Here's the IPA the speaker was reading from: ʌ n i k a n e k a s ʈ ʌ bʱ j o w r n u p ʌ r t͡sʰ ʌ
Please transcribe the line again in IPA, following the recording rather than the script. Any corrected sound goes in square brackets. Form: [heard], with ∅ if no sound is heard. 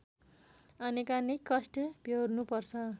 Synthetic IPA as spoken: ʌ n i k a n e k [ʌ] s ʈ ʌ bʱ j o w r n u p ʌ r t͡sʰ ʌ